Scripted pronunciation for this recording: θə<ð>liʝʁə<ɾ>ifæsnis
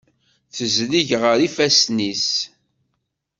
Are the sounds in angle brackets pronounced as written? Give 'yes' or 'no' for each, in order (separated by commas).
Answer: no, yes